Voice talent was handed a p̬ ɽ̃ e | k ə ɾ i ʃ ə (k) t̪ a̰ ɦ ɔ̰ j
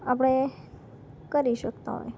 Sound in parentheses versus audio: correct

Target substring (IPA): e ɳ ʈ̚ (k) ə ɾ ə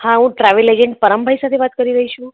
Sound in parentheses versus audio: incorrect: p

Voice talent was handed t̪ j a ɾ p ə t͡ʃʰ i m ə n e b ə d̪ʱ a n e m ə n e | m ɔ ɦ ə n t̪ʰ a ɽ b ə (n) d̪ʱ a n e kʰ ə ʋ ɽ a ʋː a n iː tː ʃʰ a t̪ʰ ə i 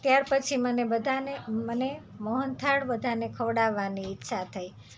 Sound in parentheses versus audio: incorrect: none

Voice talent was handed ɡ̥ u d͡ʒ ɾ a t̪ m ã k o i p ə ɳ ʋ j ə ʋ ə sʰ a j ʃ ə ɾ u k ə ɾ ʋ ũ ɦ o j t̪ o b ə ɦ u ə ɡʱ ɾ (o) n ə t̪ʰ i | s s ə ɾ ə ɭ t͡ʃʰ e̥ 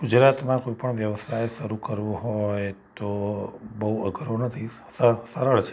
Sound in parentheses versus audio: correct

